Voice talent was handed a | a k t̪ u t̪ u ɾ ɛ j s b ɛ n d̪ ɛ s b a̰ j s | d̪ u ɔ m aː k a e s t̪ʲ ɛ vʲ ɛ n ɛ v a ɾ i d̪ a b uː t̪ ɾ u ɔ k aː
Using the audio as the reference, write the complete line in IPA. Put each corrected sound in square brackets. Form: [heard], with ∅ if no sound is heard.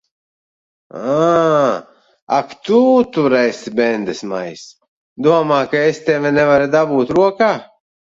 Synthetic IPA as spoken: a | a k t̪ u t̪ u ɾ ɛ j s b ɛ n d̪ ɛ s [m] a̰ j s | d̪ u ɔ m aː k a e s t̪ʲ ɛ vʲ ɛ n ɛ v a ɾ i d̪ a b uː t̪ ɾ u ɔ k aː